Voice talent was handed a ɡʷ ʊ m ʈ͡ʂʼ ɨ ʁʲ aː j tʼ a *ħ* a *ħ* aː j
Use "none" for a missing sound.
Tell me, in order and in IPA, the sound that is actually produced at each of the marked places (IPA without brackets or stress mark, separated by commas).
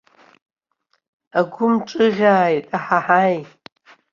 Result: ħ, ħ